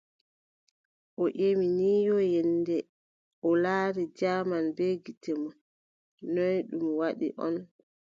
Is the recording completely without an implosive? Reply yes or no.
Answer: no